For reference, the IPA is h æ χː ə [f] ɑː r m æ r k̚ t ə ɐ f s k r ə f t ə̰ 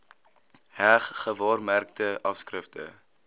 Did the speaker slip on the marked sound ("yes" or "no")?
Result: yes